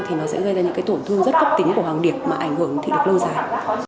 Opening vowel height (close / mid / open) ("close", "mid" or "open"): close